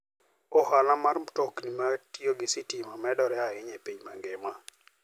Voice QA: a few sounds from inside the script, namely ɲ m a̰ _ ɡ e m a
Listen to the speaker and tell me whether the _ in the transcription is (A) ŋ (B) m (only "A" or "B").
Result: A